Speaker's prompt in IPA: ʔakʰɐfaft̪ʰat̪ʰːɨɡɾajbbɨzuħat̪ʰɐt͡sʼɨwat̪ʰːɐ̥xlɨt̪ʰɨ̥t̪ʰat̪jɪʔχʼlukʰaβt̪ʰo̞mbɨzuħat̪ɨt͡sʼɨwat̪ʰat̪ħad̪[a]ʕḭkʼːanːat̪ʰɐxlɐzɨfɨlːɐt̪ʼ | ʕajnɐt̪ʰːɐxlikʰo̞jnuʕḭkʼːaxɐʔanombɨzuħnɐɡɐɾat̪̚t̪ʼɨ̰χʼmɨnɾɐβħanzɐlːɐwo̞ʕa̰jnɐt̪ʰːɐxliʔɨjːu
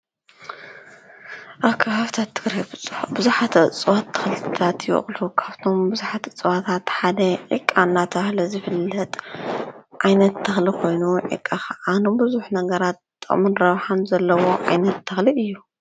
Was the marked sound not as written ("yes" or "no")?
yes